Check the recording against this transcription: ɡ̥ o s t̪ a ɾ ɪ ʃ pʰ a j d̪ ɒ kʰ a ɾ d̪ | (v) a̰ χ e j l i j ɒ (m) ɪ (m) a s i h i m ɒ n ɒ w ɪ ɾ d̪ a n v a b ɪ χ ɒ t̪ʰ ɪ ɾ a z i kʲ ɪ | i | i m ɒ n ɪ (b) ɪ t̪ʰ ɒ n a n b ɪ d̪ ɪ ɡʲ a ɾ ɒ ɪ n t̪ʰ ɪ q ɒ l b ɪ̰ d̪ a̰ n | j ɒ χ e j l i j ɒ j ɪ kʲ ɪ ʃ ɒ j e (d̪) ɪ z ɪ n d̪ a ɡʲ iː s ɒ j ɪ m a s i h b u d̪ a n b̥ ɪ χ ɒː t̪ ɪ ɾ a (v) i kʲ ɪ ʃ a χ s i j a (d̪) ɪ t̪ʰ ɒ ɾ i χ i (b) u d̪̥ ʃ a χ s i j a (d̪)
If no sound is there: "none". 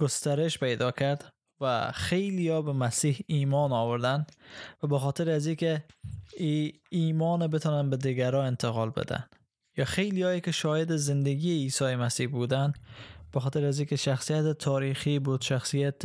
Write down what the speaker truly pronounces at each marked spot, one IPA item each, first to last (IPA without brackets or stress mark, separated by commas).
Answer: v, b, m, b, d̪, z, t̪, b, t̪